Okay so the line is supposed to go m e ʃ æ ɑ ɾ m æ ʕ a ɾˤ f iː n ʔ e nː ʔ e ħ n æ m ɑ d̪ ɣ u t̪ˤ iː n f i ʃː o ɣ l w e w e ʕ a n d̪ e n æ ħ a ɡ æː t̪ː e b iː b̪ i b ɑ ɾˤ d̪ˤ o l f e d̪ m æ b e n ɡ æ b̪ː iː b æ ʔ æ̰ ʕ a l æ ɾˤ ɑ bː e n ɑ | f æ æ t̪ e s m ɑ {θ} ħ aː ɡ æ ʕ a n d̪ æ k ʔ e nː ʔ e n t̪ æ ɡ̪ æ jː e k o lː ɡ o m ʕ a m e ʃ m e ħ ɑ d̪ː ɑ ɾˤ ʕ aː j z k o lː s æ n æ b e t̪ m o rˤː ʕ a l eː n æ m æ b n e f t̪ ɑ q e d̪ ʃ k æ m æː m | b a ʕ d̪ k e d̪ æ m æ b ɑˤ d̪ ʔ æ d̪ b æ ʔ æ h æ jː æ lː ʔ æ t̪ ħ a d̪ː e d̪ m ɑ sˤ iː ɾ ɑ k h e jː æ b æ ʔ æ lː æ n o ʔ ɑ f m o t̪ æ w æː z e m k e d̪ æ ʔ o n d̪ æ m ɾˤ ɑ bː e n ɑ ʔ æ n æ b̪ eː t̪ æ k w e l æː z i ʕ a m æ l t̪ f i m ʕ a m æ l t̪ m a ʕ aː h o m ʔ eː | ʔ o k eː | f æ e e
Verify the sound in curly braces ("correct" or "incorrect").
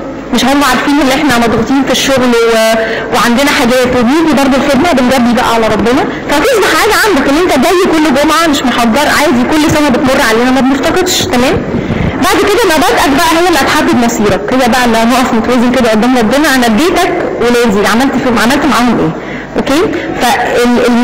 incorrect